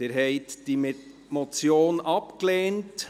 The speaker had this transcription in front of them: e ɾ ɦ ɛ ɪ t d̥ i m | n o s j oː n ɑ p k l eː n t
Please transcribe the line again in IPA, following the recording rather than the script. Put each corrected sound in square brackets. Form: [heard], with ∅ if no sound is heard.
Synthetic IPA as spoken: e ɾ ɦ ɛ ɪ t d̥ i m | [m] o [t͡s] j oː n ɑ p k l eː n t